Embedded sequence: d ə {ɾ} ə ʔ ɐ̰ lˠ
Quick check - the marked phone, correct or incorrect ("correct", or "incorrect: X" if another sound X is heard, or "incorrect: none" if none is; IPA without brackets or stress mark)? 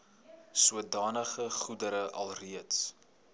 correct